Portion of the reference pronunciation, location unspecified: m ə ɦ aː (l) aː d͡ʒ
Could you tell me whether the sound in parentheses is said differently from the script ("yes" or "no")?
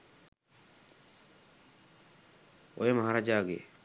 yes